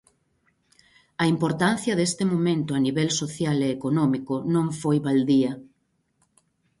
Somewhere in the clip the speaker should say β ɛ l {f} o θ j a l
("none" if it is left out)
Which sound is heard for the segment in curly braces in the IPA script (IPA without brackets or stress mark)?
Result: s